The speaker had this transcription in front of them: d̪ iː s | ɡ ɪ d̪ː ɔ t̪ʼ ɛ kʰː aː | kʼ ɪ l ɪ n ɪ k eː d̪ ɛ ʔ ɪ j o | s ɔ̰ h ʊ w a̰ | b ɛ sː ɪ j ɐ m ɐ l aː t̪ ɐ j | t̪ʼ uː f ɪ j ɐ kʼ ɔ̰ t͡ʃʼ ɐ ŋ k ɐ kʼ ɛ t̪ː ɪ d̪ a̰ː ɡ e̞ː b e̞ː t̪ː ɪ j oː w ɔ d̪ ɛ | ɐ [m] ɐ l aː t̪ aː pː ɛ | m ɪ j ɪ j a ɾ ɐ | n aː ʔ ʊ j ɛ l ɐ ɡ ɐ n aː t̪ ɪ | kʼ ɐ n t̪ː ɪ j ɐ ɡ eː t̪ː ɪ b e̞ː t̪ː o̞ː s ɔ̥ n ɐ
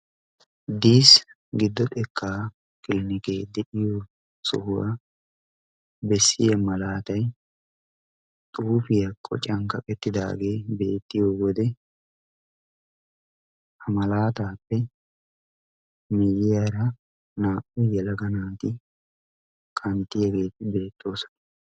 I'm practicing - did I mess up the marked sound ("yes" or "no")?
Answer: no